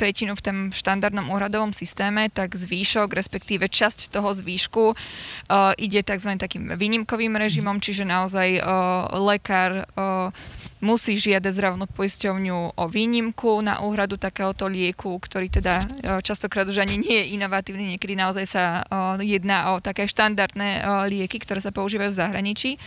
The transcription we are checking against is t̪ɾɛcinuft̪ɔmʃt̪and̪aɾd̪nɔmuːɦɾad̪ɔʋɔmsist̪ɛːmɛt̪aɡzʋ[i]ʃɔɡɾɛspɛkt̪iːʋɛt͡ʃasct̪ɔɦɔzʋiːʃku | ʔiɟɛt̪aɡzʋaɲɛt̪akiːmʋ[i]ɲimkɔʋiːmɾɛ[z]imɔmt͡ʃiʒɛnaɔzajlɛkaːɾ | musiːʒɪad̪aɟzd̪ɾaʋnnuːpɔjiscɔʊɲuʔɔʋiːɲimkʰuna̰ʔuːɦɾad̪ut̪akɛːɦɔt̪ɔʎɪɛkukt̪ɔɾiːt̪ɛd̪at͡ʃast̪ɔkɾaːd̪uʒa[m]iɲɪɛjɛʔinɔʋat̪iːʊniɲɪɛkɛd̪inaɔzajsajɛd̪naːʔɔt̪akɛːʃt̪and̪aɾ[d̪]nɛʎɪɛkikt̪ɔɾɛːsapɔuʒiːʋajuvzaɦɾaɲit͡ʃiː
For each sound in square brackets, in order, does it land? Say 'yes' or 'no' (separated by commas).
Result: no, no, no, no, yes